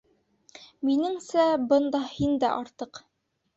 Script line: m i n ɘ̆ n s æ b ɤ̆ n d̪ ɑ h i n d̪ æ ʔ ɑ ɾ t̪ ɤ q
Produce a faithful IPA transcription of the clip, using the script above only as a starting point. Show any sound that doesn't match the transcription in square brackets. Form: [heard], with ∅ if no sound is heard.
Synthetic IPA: m i n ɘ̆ [ŋ] s æ b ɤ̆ n d̪ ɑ h i n d̪ æ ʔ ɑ ɾ t̪ ɤ q